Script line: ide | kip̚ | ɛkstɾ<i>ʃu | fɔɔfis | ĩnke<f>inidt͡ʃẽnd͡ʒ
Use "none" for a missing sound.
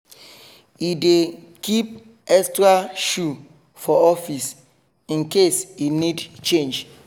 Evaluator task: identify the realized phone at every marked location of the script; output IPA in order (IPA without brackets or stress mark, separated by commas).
a, s